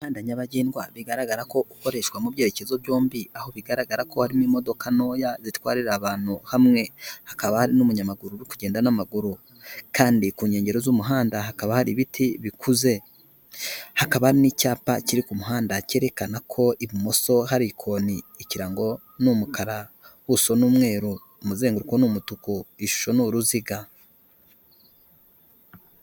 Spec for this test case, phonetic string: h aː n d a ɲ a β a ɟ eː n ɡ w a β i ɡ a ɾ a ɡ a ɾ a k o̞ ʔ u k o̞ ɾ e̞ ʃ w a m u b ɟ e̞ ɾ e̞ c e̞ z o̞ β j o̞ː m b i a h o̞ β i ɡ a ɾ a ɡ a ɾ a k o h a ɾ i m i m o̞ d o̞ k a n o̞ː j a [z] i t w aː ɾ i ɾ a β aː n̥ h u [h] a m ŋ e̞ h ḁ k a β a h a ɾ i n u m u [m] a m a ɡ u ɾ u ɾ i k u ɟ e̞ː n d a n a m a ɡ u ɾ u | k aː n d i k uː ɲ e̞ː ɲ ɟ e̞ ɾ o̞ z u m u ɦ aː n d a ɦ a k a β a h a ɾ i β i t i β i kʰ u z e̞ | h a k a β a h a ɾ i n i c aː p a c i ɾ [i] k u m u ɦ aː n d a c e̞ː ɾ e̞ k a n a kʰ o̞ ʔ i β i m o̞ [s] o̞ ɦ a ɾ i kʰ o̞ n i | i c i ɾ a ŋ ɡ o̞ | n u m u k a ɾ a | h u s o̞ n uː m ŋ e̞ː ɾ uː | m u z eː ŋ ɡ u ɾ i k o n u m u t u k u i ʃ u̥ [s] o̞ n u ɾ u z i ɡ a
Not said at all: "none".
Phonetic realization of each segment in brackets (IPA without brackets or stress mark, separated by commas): z, h, ɲ, i, s, ʃ